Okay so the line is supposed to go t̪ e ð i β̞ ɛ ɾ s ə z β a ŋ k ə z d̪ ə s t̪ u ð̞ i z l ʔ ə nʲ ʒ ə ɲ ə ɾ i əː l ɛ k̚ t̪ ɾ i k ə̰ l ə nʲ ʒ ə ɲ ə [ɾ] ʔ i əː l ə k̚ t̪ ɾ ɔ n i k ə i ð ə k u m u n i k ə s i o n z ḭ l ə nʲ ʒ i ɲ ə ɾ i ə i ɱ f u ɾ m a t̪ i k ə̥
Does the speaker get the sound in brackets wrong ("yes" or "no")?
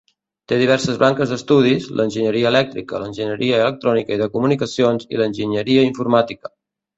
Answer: no